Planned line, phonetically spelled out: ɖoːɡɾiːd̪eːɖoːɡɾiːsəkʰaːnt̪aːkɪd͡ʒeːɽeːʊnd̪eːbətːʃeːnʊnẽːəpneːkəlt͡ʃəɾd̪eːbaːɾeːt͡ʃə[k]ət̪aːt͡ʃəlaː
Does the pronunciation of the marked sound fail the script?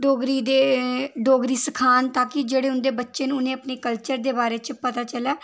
yes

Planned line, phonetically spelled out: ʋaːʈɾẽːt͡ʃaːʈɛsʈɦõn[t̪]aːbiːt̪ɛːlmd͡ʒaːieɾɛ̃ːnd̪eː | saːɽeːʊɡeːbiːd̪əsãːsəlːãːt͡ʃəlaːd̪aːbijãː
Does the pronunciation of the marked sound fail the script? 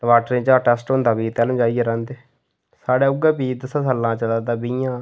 yes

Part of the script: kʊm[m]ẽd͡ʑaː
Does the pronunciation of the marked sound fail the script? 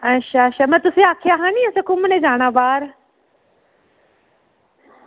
yes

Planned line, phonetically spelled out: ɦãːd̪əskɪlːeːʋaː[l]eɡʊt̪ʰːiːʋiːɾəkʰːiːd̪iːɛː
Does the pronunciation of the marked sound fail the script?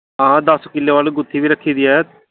no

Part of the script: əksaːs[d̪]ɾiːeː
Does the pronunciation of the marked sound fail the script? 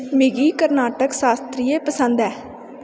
yes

